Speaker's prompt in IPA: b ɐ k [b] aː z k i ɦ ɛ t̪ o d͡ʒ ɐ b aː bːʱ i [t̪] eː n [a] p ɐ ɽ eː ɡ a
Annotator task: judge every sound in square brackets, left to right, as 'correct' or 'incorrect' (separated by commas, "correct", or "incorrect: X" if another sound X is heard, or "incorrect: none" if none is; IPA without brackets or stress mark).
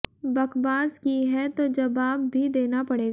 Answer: correct, incorrect: d̪, correct